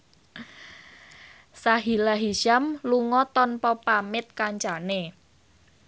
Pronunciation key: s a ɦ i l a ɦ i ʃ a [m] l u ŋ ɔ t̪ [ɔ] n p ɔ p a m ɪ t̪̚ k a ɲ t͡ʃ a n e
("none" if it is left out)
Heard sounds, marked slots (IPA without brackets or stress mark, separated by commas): m, ɔ